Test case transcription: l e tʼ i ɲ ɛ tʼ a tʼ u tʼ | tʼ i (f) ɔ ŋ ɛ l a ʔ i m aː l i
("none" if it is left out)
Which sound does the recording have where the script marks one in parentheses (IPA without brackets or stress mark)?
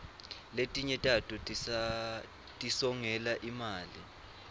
s